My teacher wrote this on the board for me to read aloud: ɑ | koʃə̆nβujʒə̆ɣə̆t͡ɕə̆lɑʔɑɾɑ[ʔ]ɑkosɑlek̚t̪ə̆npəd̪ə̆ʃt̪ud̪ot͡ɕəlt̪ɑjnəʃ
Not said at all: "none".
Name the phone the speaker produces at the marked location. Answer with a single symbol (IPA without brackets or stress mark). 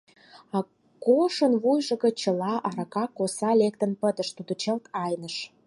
k